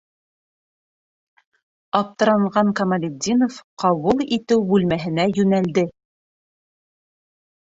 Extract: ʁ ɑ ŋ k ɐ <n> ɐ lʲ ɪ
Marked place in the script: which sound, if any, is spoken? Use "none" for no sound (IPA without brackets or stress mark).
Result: m